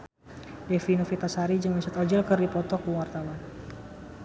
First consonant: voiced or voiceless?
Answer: voiced